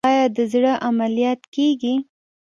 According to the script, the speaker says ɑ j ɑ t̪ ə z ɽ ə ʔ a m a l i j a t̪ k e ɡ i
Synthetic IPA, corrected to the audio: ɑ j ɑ d̪ ə z ɽ ə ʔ a m a l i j ɑ t̪ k e ɡ i